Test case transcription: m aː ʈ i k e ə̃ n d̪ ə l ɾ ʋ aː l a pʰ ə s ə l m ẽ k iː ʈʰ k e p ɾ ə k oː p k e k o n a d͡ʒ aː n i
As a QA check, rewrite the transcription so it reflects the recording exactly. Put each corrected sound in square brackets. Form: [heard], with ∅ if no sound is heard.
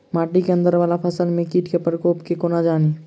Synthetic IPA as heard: m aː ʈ i k e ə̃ n d̪ ə [∅] ɾ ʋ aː l a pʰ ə s ə l m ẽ k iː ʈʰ k e p ɾ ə k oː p k e k o n a d͡ʒ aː n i